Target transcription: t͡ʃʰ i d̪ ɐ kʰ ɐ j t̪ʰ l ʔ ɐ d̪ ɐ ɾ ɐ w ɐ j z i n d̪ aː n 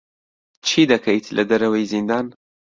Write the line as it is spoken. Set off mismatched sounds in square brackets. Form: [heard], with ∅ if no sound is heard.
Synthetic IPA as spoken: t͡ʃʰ i d̪ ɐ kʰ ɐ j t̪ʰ l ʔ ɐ d̪ ɐ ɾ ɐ w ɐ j z i n d̪ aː n